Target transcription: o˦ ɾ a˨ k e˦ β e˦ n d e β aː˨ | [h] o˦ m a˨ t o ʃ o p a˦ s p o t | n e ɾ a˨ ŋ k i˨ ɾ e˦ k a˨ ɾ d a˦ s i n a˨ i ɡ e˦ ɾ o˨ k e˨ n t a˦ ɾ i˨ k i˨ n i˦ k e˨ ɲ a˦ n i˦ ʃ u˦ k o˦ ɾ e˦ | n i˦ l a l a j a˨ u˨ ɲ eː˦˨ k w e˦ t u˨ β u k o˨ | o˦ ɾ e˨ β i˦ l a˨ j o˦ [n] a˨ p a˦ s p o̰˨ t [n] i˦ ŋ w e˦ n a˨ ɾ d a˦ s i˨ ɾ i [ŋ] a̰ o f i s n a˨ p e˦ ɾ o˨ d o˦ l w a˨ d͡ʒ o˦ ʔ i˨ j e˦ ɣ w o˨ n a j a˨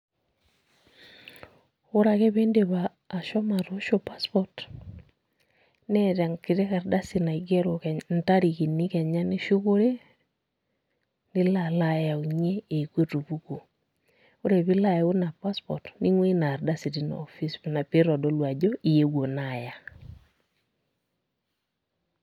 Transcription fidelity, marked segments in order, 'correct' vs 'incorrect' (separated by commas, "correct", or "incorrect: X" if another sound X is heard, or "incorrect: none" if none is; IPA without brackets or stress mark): incorrect: ʃ, correct, correct, incorrect: n